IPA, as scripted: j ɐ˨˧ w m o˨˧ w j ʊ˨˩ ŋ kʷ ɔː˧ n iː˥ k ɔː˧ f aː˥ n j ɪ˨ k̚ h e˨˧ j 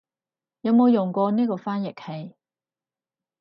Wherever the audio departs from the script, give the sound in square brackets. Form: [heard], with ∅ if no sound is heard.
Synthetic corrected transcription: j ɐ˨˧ w m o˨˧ w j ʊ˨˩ ŋ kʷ ɔː˧ n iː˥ k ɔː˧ f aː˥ n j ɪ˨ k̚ h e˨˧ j